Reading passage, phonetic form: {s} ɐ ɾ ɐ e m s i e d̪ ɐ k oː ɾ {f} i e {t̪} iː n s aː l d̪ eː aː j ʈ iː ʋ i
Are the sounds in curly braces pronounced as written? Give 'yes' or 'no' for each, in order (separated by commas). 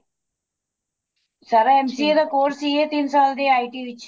yes, no, yes